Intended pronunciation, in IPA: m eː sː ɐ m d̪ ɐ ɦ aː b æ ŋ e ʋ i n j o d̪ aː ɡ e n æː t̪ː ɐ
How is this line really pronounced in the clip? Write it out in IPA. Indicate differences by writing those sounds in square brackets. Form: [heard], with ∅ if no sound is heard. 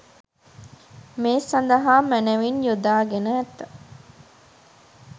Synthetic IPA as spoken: m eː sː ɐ [n] d̪ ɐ ɦ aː [m] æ [n] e ʋ i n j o d̪ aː ɡ e n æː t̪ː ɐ